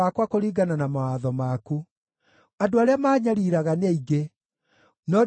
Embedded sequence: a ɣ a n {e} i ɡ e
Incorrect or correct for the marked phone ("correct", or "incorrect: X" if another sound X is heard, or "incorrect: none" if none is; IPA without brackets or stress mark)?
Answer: correct